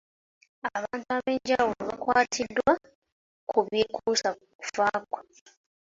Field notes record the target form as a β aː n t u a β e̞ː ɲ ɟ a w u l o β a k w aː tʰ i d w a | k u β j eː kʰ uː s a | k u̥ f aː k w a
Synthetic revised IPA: a β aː n t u a β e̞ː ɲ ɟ a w u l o β a k w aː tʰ i d w a | k u β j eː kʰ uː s a | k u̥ f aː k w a